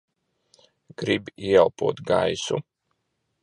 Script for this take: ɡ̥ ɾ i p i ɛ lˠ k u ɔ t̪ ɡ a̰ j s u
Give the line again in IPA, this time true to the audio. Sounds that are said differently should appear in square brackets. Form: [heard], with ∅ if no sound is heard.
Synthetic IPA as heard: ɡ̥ ɾ i [b] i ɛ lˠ [p] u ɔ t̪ ɡ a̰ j s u